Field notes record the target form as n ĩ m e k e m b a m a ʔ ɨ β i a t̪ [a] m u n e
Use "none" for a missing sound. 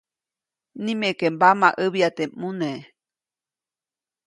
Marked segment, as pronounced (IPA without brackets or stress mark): e